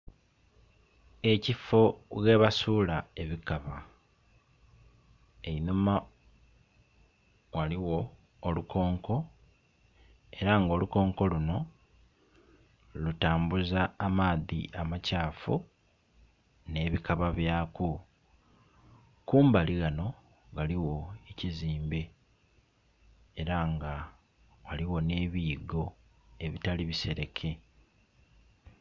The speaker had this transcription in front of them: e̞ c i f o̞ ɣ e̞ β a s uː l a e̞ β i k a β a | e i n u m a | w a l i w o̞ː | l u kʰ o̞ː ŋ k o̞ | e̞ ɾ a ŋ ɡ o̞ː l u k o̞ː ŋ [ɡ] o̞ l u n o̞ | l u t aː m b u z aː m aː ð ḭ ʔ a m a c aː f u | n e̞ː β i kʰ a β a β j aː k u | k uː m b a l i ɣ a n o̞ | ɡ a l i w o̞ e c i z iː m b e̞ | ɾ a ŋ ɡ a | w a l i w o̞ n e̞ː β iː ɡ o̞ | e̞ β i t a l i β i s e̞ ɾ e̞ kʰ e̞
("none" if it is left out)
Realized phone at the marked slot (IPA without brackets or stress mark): k